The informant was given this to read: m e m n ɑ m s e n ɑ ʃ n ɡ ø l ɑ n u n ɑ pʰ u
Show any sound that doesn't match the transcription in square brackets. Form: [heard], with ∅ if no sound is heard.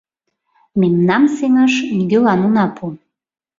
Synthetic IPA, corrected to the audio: m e m n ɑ m s e [ŋ] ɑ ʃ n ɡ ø l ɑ n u n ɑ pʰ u